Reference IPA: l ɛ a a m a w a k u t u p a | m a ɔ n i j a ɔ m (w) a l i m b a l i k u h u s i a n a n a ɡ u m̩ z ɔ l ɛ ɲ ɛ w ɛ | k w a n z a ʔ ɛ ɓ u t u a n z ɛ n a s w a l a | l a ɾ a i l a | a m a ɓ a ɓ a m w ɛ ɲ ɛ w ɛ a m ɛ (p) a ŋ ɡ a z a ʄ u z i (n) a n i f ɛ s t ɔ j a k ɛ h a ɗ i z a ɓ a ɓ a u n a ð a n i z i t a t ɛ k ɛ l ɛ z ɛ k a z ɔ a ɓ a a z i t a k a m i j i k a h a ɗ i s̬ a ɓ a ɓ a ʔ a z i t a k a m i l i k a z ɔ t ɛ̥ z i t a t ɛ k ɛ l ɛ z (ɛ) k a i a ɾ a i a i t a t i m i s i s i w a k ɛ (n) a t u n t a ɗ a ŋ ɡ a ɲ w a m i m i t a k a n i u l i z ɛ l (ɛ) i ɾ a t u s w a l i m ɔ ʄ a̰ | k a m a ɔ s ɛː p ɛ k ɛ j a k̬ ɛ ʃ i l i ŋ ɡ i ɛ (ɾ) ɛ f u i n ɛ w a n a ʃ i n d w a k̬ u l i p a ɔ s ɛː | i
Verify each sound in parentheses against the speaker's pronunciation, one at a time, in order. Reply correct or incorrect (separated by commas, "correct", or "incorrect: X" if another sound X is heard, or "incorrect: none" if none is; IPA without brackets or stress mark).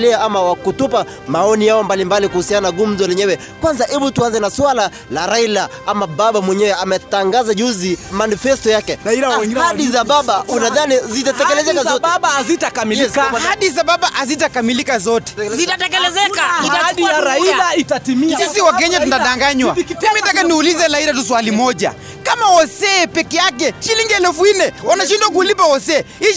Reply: incorrect: b, incorrect: t, incorrect: m, correct, incorrect: ɲ, incorrect: a, incorrect: l